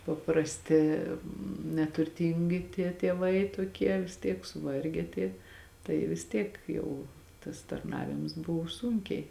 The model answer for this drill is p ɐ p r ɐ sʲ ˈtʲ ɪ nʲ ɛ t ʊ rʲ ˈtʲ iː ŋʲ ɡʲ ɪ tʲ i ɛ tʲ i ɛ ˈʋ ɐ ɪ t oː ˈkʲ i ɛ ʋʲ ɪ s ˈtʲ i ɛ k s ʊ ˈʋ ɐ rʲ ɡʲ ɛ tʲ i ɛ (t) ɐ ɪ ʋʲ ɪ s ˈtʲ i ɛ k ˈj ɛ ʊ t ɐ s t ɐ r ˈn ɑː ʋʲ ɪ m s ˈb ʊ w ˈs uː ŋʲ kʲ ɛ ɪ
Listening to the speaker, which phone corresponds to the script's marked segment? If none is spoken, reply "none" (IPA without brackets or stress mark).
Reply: t